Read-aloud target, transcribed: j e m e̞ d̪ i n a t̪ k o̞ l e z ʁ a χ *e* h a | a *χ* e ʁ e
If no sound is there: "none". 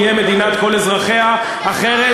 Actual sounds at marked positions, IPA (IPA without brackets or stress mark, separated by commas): e, χ